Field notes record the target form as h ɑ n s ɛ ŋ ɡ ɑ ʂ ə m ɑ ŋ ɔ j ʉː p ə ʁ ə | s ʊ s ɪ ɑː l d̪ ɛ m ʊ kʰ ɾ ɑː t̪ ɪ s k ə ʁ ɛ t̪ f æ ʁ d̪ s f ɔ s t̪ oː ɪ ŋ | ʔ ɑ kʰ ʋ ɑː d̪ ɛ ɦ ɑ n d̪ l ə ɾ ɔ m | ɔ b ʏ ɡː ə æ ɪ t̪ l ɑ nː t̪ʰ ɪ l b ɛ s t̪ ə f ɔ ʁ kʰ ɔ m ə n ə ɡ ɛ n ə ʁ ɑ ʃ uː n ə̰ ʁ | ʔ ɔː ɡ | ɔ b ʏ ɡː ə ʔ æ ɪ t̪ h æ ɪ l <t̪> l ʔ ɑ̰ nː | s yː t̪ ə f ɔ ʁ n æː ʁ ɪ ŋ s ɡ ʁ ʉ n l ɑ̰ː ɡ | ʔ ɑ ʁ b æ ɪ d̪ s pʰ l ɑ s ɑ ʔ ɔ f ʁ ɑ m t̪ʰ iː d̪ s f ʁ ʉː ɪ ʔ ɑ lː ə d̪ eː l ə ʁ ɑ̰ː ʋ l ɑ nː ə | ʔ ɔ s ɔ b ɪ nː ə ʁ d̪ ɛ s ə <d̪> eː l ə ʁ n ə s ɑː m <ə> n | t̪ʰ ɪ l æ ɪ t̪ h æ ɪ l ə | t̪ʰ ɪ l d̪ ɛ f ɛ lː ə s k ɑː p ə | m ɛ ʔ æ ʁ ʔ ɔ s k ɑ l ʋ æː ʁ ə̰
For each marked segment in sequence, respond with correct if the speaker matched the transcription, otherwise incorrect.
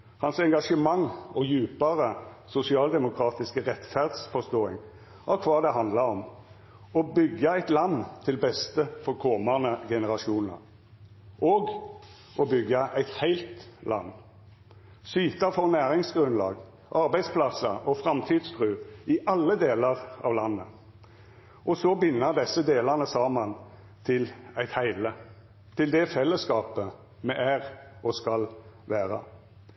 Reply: correct, correct, incorrect

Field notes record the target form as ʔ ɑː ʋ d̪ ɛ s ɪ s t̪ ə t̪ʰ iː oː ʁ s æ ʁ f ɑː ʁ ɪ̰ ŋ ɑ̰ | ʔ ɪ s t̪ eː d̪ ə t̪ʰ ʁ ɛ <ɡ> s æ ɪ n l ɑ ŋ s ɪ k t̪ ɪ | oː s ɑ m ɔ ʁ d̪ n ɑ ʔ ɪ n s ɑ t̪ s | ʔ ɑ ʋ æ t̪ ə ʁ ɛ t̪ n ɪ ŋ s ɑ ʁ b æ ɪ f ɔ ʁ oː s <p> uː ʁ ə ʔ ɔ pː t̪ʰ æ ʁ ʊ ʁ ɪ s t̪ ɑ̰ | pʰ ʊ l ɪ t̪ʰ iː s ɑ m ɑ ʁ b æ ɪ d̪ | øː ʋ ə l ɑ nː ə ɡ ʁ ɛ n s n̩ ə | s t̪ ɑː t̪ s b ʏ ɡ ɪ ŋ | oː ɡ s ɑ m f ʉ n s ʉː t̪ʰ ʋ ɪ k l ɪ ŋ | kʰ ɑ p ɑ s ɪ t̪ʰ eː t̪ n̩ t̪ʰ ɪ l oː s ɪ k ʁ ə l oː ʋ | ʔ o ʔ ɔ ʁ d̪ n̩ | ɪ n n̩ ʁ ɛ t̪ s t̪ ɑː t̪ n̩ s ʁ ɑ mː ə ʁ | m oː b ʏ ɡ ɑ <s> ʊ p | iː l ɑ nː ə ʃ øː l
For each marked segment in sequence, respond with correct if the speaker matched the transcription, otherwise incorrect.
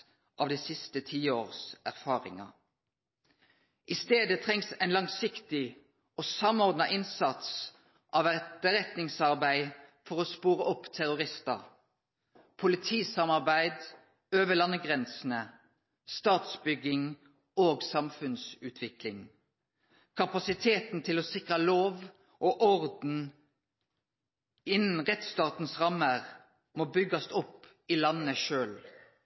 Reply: incorrect, correct, correct

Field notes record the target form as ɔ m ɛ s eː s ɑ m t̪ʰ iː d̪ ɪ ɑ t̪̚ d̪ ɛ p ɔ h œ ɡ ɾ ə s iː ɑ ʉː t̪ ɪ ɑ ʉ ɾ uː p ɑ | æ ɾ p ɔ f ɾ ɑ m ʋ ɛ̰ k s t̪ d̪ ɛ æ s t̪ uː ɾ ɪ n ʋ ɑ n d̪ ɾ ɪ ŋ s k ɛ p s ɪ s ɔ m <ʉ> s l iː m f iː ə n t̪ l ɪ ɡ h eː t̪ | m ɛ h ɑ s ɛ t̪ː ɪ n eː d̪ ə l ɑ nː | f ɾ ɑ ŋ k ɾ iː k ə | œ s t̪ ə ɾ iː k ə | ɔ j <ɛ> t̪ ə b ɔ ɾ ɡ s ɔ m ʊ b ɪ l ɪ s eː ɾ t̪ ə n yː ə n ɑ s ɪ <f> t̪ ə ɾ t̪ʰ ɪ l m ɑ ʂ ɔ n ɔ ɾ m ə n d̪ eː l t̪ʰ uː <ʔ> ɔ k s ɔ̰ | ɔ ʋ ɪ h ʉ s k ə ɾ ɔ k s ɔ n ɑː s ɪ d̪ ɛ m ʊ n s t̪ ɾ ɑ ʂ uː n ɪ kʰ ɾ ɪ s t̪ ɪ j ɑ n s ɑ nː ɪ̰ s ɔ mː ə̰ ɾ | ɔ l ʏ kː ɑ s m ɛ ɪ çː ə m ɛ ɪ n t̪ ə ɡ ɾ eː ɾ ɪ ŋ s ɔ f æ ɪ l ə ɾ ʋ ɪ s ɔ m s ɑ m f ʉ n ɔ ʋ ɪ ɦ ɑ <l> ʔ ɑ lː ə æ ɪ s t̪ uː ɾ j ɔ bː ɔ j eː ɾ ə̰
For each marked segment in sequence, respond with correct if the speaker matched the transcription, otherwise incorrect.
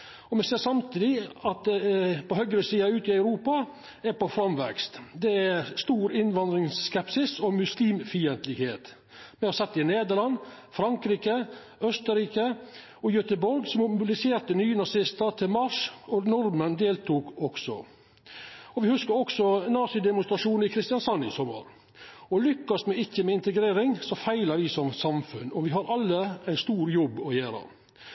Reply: correct, incorrect, incorrect, incorrect, incorrect

